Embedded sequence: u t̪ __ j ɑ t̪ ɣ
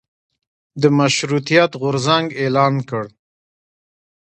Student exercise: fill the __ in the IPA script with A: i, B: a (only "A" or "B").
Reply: A